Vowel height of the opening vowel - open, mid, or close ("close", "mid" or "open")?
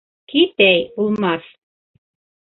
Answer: close